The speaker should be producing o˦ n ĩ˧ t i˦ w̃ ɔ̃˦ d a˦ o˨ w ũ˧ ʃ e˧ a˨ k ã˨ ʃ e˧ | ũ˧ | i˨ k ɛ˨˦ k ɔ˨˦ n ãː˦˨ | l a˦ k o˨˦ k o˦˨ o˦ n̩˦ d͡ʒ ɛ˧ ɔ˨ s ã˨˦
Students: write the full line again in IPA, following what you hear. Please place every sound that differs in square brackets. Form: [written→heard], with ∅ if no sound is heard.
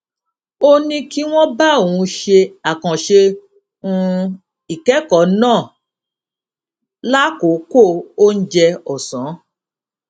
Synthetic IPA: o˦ n ĩ˧ [t→k] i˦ w̃ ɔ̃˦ [d→b] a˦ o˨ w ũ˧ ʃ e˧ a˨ k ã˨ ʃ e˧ | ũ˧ | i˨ k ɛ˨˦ k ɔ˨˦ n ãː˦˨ | l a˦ k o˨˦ k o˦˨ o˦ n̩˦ d͡ʒ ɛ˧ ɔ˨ s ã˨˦